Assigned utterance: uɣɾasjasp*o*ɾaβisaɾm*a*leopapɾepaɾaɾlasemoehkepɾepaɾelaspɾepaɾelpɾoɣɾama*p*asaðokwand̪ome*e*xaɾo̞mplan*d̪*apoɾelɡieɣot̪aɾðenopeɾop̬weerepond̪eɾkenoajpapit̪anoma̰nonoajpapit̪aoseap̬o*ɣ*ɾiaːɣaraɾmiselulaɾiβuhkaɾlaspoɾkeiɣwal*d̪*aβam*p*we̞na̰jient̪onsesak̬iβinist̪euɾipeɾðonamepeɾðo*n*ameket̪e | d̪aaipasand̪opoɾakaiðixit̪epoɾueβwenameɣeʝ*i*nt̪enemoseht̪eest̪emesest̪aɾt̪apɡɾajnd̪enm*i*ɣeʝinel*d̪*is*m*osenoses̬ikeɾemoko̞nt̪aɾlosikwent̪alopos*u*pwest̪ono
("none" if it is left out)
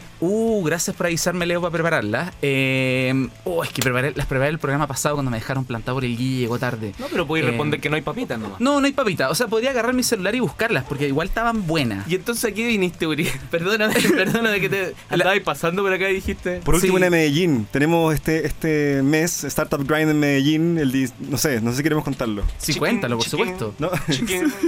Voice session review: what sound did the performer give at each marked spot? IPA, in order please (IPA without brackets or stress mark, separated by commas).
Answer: o, e, p, e, t̪, ð, t̪, b, n, i, e, d̪, n, u